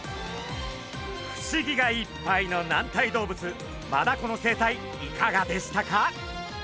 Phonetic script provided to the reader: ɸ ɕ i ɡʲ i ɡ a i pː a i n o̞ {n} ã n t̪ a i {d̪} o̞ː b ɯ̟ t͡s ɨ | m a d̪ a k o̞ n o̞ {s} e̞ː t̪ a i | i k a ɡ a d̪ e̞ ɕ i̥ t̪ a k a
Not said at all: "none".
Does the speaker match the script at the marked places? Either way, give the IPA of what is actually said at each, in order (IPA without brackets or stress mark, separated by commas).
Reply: n, d̪, s